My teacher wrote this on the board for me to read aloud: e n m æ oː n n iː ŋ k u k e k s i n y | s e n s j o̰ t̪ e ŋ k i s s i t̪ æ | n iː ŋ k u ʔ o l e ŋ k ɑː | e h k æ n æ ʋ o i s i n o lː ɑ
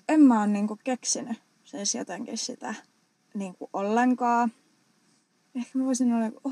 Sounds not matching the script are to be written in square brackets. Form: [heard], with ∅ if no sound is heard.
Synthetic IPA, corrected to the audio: e [m] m æ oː n n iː ŋ k u k e k s i n y | s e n s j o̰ t̪ e ŋ k i s s i t̪ æ | n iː ŋ k u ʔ o [lː] e ŋ k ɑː | e h k æ [m] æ ʋ o i s i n o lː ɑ